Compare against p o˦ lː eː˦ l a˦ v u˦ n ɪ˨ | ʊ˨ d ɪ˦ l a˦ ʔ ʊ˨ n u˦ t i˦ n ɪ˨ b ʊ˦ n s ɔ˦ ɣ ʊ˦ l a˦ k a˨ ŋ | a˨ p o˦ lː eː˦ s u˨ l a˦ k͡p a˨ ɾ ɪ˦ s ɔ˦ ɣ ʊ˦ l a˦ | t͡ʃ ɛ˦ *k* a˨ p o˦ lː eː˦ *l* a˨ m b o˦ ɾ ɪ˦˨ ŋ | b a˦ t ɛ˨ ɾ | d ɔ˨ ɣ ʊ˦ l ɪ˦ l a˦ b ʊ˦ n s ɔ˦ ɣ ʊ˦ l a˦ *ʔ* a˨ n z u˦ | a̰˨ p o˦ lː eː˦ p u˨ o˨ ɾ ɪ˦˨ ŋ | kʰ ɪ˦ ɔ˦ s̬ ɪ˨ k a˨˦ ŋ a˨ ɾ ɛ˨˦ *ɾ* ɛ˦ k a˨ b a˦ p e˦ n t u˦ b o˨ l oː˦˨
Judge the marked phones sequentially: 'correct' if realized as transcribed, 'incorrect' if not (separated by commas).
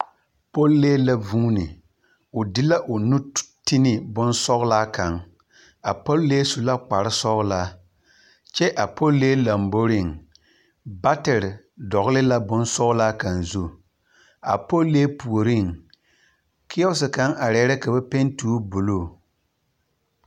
incorrect, correct, incorrect, correct